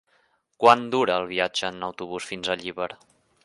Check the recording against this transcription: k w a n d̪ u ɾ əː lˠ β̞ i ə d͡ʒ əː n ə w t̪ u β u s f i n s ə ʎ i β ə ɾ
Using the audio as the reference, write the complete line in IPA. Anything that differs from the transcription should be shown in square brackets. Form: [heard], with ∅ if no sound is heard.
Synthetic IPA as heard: k w a n d̪ u ɾ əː lˠ β̞ i [a] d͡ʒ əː n ə w t̪ u β u s f i n [z] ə ʎ i β ə ɾ